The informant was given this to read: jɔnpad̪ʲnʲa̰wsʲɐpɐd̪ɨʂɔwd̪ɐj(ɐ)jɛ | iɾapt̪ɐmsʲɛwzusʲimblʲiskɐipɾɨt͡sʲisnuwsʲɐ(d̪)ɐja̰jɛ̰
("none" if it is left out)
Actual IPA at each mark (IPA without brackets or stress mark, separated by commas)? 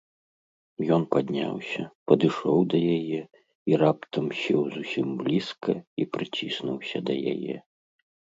a, d̪